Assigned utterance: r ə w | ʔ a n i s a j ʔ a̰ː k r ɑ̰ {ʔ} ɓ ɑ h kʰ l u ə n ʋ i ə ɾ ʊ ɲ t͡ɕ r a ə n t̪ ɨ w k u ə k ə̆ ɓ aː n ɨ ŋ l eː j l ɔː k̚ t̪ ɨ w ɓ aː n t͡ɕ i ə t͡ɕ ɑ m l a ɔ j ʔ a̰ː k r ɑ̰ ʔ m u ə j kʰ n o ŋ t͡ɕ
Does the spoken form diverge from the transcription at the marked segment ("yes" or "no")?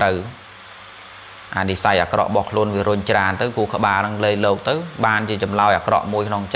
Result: no